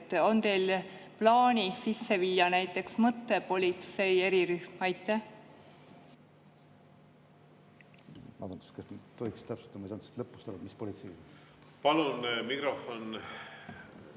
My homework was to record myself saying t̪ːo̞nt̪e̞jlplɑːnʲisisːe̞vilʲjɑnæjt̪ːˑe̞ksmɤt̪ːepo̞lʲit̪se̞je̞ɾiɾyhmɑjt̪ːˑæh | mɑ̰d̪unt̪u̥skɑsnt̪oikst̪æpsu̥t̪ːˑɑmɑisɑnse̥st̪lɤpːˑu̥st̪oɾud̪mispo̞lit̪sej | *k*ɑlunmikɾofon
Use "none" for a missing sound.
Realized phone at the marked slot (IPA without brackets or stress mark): p